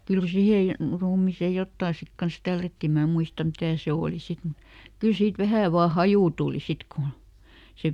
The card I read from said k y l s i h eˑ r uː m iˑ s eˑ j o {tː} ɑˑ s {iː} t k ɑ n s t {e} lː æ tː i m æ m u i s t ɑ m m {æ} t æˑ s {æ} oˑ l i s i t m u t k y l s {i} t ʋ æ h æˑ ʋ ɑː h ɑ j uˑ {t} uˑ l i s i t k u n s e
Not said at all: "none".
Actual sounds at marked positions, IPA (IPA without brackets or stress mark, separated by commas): tː, i, æ, i, e, iː, t